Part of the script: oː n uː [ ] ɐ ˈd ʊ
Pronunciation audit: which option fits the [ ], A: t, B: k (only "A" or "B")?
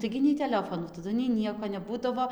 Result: A